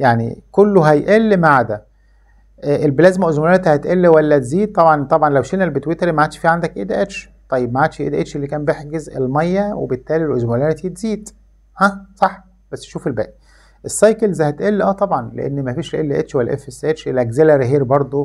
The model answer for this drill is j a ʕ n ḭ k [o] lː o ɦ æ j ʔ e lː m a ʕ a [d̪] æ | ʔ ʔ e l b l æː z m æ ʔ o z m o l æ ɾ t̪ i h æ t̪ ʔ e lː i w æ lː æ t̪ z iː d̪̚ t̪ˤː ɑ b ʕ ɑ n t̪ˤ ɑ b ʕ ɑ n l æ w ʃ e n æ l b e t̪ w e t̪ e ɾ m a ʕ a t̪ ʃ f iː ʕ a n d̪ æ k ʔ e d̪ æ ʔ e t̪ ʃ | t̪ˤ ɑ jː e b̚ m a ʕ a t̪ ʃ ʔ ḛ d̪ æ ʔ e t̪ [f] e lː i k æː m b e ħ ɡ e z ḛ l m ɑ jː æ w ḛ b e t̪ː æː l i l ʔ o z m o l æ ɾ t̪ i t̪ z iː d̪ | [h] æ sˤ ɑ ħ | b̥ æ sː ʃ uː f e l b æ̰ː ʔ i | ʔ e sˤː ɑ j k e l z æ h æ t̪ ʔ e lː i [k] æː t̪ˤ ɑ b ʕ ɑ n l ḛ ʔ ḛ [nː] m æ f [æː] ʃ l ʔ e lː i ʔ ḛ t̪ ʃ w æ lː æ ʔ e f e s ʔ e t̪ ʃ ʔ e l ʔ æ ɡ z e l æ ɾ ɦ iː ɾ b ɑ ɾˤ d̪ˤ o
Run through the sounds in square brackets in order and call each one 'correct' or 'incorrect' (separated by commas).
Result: correct, correct, incorrect, correct, incorrect, correct, incorrect